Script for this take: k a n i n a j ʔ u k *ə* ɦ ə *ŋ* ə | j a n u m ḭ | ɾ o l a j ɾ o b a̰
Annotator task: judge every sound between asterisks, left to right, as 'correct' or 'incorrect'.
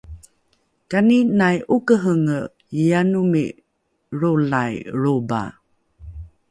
correct, correct

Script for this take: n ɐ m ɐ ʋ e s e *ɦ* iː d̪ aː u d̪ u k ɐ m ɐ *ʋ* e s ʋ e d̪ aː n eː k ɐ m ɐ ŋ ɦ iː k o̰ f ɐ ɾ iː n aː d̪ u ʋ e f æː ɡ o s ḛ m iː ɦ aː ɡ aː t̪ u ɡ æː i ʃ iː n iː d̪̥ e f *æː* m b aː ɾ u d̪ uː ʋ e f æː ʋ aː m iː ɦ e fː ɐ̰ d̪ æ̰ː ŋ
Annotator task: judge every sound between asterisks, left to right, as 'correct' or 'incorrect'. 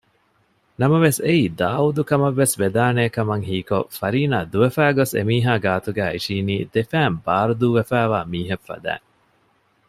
incorrect, incorrect, correct

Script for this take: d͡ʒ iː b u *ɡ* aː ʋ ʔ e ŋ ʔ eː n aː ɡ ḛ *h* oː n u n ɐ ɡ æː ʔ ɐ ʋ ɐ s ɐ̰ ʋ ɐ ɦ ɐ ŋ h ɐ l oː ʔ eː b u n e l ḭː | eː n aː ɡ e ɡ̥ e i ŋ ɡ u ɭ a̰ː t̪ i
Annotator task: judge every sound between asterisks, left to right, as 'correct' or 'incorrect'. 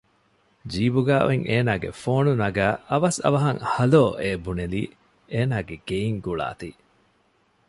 correct, incorrect

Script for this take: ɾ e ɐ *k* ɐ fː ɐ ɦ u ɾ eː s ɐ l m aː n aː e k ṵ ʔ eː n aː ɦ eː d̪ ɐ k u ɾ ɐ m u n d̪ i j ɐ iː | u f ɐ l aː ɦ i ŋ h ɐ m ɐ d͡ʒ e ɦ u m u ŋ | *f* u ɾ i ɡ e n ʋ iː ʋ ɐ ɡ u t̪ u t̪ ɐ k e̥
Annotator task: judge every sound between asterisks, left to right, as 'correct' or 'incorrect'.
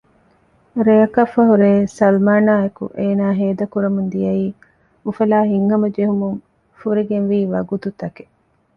correct, correct

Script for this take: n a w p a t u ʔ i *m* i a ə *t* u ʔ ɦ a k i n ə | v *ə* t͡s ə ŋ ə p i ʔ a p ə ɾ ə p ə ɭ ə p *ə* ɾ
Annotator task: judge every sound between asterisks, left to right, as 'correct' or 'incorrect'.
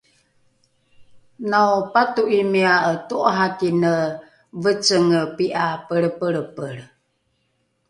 correct, correct, correct, correct

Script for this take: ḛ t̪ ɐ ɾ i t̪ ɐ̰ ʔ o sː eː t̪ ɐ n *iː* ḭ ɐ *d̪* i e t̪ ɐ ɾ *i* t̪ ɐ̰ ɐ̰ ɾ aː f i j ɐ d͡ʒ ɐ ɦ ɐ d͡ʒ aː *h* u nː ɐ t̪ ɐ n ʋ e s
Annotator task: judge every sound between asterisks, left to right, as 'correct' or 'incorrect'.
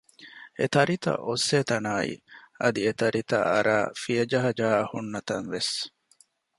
incorrect, correct, correct, correct

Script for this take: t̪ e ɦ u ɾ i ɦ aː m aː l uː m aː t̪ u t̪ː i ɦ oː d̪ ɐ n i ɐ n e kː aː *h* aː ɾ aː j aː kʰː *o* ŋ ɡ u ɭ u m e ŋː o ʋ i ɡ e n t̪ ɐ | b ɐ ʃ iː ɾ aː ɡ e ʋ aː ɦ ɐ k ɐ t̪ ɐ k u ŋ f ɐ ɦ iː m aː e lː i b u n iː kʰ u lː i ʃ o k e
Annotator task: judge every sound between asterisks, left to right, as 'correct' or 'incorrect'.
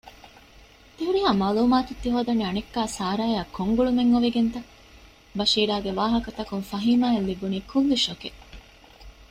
incorrect, correct

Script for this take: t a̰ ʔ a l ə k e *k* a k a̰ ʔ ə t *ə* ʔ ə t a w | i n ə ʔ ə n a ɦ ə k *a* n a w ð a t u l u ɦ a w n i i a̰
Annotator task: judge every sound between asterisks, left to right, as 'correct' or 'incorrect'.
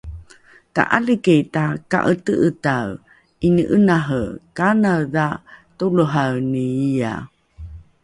incorrect, correct, correct

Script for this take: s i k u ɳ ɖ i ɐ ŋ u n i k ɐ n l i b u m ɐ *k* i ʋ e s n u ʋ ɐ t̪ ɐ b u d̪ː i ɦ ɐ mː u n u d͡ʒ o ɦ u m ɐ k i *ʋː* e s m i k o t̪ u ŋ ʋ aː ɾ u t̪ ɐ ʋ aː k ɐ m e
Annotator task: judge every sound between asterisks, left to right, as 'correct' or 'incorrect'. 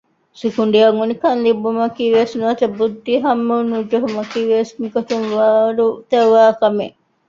correct, incorrect

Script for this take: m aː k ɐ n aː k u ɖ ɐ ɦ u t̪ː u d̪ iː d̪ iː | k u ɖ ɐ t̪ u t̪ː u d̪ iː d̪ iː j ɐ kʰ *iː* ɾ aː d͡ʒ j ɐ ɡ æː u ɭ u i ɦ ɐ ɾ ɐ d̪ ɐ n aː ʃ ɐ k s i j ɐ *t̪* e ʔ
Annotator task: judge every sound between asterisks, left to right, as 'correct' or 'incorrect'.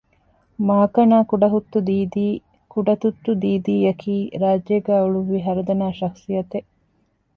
correct, correct

